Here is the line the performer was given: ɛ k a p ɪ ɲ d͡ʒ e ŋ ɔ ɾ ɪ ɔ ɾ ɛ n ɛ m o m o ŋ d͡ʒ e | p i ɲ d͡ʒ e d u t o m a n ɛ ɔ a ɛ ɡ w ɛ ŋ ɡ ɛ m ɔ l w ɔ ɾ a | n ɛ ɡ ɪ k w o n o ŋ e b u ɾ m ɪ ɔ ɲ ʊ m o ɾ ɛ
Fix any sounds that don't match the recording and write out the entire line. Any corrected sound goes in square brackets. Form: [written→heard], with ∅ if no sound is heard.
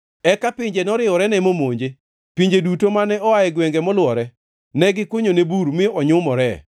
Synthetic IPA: ɛ k a p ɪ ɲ d͡ʒ e [ŋ→n] ɔ ɾ ɪ ɔ ɾ ɛ n ɛ m o m o [ŋ→ɲ] d͡ʒ e | p i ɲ d͡ʒ e d u t o m a n ɛ ɔ a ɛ ɡ w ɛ ŋ ɡ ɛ m ɔ l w ɔ ɾ [a→ɛ] | n ɛ ɡ ɪ k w o [n→ɲ] o [ŋ→n] e b u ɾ m ɪ ɔ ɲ ʊ m [o→ɔ] ɾ ɛ